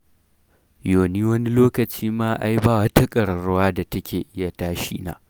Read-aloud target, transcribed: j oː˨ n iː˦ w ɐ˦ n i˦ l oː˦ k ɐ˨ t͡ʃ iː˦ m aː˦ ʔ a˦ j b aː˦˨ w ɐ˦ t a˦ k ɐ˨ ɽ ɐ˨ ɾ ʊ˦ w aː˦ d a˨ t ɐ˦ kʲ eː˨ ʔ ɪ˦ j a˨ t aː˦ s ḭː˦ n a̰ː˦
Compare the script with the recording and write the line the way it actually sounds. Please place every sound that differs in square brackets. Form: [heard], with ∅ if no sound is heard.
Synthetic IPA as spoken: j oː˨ n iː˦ w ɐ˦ n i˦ l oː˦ k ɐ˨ t͡ʃ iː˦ m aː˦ ʔ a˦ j b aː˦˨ w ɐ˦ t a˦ [kʼ] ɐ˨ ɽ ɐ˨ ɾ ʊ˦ w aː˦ d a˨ t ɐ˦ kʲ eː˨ ʔ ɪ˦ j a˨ t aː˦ [ʃ] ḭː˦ n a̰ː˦